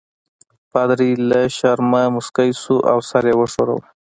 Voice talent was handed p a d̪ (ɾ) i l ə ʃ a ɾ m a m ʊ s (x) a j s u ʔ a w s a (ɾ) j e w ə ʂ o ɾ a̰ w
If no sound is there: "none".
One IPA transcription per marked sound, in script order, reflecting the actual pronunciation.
ɾ, k, ɾ

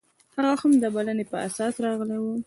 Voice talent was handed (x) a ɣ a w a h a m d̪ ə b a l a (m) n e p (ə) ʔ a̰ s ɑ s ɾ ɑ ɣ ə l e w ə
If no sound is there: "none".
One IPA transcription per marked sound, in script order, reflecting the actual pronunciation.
h, none, ə

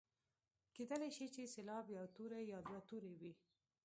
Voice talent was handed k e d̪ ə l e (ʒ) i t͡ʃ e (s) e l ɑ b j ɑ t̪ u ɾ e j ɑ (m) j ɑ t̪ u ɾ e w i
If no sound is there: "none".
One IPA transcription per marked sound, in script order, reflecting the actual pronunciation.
ʃ, s, b

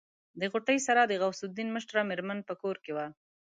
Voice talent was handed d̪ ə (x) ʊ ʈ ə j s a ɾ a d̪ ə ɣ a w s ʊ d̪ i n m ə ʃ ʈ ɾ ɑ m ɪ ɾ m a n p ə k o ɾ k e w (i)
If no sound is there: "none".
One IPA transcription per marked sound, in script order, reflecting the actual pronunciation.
ɣ, a

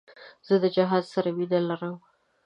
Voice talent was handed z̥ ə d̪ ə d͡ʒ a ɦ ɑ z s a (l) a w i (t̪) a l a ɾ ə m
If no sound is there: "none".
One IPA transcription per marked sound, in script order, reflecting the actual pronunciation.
ɾ, d̪

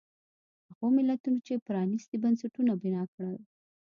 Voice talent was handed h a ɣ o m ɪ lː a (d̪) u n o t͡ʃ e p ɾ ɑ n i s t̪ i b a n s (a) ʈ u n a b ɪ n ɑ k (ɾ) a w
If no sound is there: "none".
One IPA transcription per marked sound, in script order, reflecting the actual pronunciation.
t̪, a, ɽ

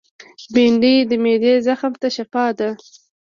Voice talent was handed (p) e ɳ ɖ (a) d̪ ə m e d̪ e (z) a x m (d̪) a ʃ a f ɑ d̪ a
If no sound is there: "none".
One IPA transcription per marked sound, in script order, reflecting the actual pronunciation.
b, i, z, t̪

